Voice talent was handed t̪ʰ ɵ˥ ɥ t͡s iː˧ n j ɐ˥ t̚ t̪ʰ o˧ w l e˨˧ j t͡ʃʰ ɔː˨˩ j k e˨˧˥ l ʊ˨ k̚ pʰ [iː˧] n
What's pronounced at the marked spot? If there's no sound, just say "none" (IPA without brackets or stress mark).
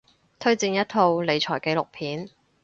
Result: iː˨˥